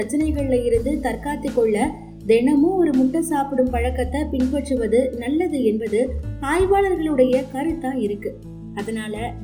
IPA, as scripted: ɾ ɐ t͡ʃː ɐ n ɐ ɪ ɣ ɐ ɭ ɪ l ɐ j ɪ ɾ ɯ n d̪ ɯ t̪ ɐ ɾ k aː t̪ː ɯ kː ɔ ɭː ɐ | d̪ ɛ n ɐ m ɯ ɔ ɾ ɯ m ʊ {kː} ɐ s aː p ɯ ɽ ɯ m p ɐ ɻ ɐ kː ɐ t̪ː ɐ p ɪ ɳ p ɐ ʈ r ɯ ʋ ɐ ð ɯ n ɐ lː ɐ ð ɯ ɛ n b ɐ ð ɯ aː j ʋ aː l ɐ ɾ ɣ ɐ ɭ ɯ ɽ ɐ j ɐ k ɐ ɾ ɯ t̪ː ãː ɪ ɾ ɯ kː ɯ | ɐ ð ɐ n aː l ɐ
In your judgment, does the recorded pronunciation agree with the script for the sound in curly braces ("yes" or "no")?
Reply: no